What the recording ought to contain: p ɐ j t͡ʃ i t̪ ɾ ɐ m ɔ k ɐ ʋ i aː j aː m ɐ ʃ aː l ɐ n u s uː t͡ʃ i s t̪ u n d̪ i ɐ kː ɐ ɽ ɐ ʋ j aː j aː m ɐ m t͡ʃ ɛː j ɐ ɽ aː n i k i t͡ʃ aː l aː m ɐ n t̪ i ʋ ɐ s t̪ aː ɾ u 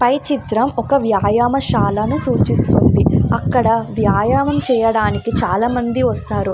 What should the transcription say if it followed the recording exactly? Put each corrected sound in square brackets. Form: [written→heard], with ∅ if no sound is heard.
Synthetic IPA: p ɐ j t͡ʃ i t̪ ɾ ɐ m ɔ k ɐ ʋ [i→j] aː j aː m ɐ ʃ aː l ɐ n u s uː t͡ʃ i s t̪ u n d̪ i ɐ kː ɐ ɽ ɐ ʋ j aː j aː m ɐ m t͡ʃ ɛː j ɐ ɽ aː n i k i t͡ʃ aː l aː m ɐ n [t̪→d̪] i ʋ ɐ s t̪ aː ɾ u